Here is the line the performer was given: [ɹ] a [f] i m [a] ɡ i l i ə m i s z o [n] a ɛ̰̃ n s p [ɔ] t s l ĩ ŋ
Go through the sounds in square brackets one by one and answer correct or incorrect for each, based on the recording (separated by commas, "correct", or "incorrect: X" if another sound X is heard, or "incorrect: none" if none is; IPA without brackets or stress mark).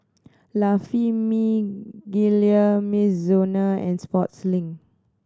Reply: incorrect: l, correct, incorrect: i, correct, correct